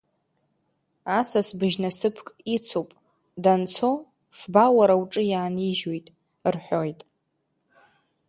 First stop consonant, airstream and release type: plain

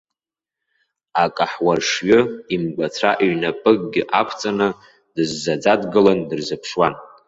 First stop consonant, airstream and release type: ejective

